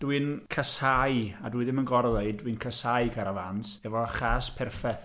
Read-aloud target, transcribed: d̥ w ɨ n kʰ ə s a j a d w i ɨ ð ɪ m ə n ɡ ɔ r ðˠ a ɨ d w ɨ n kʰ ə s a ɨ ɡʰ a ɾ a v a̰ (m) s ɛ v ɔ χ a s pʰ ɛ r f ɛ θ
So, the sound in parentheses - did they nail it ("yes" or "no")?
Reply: no